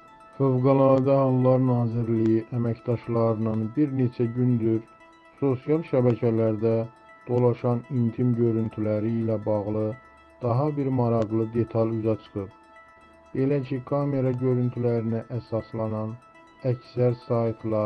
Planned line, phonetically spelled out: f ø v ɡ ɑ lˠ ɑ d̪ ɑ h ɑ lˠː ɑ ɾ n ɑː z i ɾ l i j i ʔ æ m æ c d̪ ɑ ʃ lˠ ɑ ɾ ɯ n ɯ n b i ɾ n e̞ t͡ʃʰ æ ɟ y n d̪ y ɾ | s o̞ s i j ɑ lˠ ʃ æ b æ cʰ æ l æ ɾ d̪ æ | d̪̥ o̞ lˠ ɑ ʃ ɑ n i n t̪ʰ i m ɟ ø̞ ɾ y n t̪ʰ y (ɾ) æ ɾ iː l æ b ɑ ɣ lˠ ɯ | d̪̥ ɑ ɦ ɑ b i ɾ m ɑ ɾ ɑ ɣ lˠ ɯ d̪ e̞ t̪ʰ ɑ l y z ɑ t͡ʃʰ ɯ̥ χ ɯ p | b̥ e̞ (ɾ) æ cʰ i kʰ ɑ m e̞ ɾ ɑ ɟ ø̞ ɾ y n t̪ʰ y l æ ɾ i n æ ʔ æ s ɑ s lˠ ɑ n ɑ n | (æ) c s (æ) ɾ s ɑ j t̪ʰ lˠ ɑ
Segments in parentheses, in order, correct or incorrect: incorrect: l, incorrect: l, correct, correct

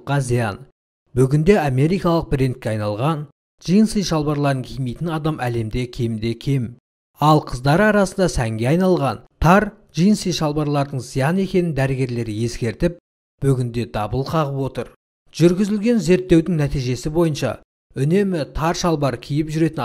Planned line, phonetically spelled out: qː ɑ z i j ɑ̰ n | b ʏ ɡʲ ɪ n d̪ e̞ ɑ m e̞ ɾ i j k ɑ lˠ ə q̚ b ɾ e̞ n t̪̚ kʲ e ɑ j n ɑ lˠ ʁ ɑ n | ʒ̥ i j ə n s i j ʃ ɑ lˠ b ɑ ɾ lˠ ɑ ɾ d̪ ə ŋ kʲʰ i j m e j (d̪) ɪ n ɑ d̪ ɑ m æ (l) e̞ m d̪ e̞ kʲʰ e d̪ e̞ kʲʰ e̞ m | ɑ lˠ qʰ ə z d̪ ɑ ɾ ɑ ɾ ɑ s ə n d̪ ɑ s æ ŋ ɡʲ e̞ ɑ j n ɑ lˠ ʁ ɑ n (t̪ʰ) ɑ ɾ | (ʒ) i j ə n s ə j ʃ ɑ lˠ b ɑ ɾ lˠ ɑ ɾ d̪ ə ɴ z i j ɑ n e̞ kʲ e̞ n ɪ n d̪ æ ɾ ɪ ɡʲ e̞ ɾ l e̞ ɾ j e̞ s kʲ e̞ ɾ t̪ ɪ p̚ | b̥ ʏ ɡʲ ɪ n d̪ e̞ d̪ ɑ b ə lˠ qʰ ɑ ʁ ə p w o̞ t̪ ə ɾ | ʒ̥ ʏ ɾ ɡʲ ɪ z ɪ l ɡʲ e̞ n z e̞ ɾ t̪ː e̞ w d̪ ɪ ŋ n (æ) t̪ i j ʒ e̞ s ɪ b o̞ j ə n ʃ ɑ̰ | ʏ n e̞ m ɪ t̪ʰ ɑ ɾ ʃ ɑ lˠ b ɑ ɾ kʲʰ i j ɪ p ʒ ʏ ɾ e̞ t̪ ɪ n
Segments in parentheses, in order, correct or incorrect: incorrect: t̪, correct, correct, correct, correct

